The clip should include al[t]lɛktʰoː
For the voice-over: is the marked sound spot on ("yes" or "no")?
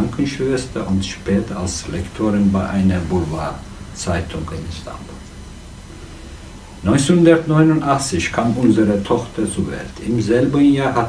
no